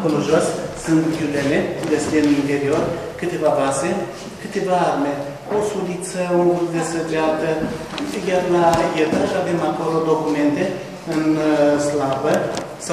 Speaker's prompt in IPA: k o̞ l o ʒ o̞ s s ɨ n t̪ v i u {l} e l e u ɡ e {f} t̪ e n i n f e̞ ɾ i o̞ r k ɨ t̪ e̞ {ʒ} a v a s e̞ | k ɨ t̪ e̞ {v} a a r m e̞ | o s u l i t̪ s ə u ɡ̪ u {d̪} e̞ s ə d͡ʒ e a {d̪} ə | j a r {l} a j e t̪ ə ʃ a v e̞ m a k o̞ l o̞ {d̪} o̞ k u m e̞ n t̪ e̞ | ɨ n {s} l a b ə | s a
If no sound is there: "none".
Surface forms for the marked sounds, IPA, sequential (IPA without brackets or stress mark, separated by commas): l, s, v, v, d̪, t̪, l, d̪, s